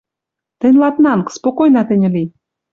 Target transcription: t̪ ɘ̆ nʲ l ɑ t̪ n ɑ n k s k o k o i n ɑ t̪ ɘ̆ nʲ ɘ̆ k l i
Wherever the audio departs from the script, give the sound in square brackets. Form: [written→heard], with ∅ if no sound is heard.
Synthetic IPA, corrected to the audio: t̪ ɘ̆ nʲ l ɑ t̪ n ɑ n k s [k→p] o k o [i→j] n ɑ t̪ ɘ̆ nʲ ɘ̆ [k→∅] l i